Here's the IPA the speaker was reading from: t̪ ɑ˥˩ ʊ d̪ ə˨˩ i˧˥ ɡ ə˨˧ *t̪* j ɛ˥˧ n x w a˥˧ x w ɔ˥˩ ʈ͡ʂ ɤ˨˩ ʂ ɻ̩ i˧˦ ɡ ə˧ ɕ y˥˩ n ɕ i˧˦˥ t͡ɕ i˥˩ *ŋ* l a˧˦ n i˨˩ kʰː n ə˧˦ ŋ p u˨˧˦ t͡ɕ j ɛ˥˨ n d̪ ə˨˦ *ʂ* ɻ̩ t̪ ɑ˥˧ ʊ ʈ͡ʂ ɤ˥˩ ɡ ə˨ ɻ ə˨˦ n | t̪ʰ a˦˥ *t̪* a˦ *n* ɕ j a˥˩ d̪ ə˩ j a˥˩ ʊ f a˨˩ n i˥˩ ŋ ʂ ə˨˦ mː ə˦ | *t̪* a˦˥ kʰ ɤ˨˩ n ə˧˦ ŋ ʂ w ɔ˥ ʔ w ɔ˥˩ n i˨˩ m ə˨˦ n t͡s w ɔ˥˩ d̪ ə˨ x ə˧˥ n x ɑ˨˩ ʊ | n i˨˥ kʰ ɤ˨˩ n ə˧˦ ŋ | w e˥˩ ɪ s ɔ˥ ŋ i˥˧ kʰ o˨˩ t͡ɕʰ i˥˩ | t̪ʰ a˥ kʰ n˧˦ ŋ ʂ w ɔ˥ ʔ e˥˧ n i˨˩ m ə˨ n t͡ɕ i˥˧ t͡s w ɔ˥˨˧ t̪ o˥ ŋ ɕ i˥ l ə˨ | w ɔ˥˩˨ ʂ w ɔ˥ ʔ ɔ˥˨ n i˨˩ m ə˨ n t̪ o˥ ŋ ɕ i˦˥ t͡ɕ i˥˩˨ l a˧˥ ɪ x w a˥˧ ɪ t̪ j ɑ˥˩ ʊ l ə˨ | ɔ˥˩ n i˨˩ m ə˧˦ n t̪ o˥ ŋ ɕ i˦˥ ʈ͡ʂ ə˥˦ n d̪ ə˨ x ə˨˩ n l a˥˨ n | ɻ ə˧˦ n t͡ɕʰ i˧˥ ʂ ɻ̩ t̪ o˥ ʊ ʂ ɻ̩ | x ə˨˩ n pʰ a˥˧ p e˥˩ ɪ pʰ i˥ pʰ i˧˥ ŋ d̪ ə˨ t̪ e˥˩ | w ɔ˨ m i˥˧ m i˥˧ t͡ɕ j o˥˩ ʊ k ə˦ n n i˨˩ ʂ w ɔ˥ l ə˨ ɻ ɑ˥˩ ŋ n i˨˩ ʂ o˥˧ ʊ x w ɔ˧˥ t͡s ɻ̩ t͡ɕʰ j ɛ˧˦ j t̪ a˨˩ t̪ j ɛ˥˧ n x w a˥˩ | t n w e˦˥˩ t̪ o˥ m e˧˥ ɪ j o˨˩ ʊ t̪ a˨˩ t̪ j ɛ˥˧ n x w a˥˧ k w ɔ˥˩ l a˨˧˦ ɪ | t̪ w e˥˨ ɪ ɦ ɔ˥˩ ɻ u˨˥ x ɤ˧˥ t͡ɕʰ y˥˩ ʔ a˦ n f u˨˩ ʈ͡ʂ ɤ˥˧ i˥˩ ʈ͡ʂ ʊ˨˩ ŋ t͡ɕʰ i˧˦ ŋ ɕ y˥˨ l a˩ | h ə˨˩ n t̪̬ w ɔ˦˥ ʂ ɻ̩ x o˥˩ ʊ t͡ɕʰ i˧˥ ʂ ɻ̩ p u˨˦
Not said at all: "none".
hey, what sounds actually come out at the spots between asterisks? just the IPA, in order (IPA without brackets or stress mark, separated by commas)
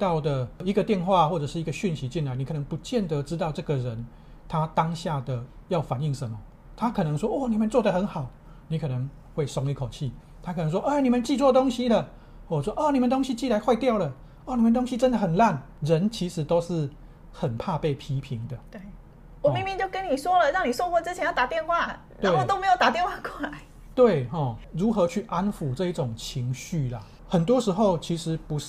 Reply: t̪, n, ʈ͡ʂ, t̪, ŋ, t̪ʰ